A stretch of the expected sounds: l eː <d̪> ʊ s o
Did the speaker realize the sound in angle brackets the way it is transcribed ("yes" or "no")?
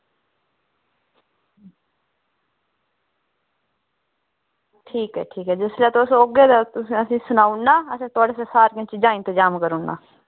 no